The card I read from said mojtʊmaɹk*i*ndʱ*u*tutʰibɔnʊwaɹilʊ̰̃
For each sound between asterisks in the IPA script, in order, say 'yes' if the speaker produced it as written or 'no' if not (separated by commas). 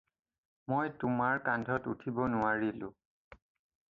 no, no